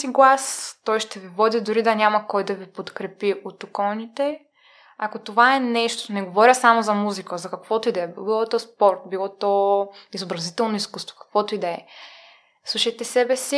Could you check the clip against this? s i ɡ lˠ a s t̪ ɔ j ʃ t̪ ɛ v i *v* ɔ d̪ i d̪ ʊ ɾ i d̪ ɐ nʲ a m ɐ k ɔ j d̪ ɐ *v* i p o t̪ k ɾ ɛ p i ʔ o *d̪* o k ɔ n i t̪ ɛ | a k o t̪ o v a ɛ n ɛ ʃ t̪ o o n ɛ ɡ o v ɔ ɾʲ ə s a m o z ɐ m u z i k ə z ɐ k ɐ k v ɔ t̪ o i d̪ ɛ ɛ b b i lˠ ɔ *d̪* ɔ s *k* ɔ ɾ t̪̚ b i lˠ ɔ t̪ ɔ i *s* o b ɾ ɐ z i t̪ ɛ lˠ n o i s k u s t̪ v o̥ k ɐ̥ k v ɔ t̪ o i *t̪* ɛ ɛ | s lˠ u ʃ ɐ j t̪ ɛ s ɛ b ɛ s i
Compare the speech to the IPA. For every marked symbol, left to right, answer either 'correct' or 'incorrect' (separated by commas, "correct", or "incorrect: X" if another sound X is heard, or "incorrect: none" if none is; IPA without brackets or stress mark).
correct, correct, incorrect: t̪, incorrect: t̪, incorrect: p, incorrect: z, incorrect: d̪